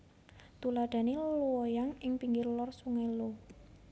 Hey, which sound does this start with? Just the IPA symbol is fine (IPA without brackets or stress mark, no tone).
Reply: t̪